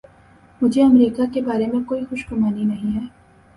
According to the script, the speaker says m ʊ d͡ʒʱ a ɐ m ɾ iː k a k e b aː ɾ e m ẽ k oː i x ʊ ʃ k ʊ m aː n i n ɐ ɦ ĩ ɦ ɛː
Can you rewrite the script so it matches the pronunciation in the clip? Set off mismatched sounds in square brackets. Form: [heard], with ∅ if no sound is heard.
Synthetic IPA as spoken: m ʊ d͡ʒʱ [e] ɐ m ɾ iː k a k e b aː ɾ e m ẽ k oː i x ʊ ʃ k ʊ m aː n i n ɐ ɦ ĩ ɦ ɛː